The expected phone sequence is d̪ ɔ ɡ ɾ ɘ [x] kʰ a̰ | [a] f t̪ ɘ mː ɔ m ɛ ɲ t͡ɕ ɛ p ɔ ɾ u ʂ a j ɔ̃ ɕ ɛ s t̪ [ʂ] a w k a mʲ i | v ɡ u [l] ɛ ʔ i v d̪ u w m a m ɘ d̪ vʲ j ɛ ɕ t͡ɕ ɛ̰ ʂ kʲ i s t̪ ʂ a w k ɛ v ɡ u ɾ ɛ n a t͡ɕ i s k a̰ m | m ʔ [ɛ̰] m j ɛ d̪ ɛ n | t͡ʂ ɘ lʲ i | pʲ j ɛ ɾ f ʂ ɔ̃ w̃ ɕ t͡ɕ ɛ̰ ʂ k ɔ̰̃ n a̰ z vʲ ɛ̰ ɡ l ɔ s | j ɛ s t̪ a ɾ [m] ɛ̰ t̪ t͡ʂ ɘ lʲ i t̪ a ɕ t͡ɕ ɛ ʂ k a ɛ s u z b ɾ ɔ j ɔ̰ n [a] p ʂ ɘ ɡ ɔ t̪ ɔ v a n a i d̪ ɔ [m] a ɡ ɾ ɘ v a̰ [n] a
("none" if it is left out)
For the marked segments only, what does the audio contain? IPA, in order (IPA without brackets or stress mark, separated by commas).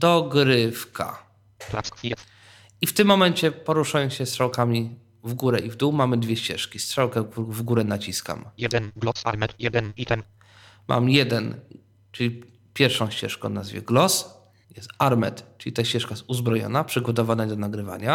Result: f, i, ʂ, ɾ, a̰, m, a, n, ɲ